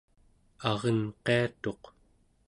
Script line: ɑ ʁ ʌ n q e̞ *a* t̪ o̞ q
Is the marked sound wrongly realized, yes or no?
no